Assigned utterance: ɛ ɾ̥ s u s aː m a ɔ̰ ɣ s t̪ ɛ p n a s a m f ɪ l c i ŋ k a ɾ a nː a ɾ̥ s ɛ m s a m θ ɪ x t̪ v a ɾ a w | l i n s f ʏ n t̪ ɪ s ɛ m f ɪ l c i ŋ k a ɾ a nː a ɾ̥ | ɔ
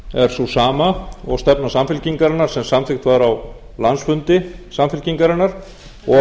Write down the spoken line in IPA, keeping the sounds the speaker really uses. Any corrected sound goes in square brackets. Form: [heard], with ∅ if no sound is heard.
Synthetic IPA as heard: ɛ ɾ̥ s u s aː m a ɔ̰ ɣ s t̪ ɛ p n a s a m f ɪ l c i ŋ k a ɾ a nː a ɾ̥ s ɛ m s a m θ ɪ x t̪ v a ɾ a w | l [a] n s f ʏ n t̪ ɪ s [a] m f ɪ l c i ŋ k a ɾ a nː a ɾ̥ | ɔ